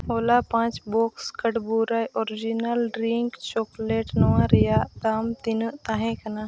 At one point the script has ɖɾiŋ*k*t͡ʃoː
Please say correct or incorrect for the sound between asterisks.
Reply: correct